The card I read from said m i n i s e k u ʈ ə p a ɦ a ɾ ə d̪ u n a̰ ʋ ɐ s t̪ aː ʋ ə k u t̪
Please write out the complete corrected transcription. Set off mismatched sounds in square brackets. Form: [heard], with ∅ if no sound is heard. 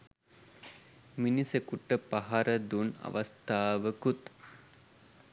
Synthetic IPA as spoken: m i n i s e k u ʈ ə p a ɦ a ɾ ə d̪ u n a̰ ʋ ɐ s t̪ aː ʋ ə k u t̪